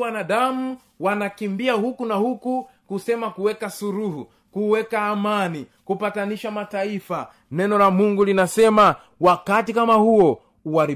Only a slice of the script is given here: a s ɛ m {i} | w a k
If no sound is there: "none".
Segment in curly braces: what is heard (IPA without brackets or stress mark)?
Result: a